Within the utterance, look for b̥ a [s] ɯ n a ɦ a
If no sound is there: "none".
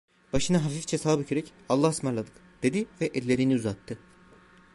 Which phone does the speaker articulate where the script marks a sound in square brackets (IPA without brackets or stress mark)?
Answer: ʃ